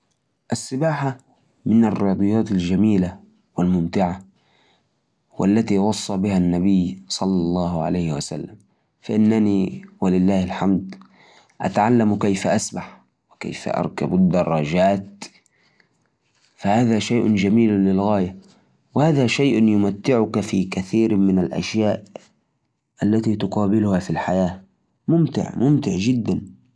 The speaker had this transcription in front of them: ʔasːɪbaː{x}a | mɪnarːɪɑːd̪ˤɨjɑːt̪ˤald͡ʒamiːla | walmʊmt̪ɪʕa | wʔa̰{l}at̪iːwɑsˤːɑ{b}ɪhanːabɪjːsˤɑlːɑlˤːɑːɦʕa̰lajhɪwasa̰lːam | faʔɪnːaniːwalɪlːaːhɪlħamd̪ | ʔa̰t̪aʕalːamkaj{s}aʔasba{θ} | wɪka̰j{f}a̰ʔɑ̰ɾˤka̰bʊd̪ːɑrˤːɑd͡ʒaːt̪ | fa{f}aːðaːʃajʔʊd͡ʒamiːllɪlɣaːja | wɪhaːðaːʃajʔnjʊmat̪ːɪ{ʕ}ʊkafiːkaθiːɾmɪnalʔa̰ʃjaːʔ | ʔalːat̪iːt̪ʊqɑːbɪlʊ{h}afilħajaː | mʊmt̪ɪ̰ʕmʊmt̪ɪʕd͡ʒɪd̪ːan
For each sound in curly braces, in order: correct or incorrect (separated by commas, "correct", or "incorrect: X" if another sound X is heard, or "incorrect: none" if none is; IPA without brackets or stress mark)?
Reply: incorrect: ħ, incorrect: lː, correct, incorrect: f, incorrect: ħ, correct, incorrect: h, correct, correct